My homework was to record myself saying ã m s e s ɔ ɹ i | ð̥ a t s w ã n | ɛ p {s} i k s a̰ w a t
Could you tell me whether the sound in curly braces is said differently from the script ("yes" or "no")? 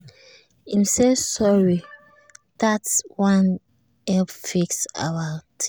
yes